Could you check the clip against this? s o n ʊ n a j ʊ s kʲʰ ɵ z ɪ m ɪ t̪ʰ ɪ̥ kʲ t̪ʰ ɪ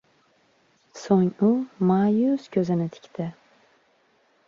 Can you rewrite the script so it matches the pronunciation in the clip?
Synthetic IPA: s o ŋ ʊ m a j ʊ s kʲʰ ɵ z ɪ n ɪ t̪ʰ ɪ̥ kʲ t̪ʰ ɪ

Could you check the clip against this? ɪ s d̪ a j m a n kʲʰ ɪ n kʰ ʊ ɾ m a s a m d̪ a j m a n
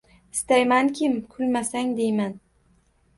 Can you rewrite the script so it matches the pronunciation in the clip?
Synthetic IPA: ɪ s t̪ a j m a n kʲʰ ɪ m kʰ ʊ l m a s a ŋ d̪ e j m a n

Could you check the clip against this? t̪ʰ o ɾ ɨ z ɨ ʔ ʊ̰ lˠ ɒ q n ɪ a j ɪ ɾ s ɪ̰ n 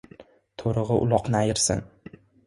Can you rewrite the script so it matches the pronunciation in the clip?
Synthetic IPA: t̪ʰ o ɾ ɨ ʁ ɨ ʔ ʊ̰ lˠ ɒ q n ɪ a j ɪ ɾ s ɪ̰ n

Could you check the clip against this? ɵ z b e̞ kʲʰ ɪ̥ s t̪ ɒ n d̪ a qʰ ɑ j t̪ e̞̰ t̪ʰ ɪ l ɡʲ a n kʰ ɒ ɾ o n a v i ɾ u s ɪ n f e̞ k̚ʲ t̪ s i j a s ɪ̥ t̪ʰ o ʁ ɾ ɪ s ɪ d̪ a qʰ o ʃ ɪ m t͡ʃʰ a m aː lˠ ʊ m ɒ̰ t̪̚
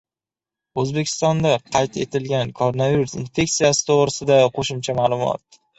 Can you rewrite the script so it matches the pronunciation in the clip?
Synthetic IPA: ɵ z b e̞ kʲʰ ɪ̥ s t̪ ɒ n d̪ a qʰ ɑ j t̪ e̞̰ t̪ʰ ɪ l ɡʲ a n kʰ o ɾ o n a v i ɾ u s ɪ n f e̞ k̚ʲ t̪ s i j a s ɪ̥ t̪ʰ o ʁ ɾ ɪ s ɪ d̪ a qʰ o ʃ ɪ m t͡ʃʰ a m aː lˠ ʊ m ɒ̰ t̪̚

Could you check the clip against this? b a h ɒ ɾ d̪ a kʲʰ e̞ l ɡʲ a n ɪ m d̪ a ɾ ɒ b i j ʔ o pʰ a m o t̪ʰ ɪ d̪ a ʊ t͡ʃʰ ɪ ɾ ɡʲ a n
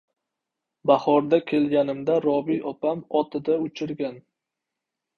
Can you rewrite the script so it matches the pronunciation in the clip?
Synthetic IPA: b a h ɒ ɾ d̪ a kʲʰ e̞ l ɡʲ a n ɪ m d̪ a ɾ ɒ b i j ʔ ɒ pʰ a m ɒ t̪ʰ ɪ d̪ a ʊ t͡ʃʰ ɪ ɾ ɡʲ a n

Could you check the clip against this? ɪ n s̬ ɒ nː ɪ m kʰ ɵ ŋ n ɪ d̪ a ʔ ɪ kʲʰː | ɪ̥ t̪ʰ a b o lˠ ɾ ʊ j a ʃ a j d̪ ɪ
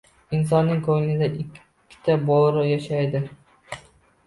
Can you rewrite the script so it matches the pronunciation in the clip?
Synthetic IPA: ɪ n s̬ ɒ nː ɪ ŋ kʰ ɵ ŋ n ɪ d̪ a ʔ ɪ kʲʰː | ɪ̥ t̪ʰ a b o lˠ ɾ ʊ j a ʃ a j d̪ ɪ

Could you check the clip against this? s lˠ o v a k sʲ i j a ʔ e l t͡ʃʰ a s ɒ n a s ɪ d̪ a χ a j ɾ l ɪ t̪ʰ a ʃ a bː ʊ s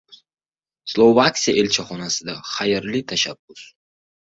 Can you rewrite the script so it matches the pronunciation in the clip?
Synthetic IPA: s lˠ o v a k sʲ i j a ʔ e l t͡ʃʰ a χ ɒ n a s ɪ d̪ a χ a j ɾ l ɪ t̪ʰ a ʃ a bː ʊ s

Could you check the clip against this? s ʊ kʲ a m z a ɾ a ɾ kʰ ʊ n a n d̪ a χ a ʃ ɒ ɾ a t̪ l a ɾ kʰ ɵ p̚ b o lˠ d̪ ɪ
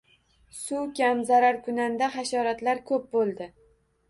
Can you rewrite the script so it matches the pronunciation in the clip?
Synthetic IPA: s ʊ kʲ a m z a ɾ a ɾ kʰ ʊ n a n d̪ a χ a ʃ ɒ ɾ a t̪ l a ɾ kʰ ɵ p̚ b o lˠ d̪ ɪ

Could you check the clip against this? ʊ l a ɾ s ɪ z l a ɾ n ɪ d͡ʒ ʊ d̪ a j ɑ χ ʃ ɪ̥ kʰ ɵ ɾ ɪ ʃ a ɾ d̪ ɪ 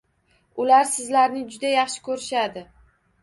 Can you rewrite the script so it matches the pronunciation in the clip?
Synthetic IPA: ʊ l a ɾ s ɪ z l a ɾ n ɪ d͡ʒ ʊ d̪ a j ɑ χ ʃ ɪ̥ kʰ ɵ ɾ ɪ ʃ a d̪ ɪ

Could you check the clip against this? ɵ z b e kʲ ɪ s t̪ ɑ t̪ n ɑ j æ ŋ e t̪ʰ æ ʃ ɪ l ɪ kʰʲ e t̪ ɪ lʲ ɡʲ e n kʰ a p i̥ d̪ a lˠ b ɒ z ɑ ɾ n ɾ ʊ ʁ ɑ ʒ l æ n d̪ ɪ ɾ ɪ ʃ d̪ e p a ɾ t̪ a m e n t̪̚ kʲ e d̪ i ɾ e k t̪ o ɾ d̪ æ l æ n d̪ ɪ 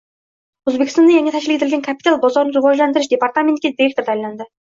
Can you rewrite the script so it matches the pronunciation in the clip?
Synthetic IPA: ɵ z b e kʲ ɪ s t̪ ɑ n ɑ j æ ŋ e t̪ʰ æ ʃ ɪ l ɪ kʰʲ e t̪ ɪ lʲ ɡʲ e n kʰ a p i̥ t̪ a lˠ b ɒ z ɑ ɾ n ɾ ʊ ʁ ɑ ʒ l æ n d̪ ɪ ɾ ɪ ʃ d̪ e p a ɾ t̪ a m e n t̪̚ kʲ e d̪ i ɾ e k t̪ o ɾ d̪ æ l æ n d̪ ɪ

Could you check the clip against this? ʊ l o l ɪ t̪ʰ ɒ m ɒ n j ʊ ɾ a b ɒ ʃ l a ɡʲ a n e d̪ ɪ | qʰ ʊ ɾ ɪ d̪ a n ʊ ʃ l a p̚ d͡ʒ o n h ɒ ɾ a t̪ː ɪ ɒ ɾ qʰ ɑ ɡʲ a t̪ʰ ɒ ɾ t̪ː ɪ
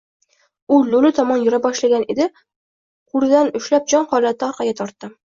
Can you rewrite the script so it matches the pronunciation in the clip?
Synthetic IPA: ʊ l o l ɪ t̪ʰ ɒ m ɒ n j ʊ ɾ a b ɒ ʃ l a ɡʲ a n e d̪ ɪ | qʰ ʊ ɾ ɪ d̪ a n ʊ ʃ l a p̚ d͡ʒ ɒ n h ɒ l a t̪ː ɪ ɒ ɾ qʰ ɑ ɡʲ a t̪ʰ ɒ ɾ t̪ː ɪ

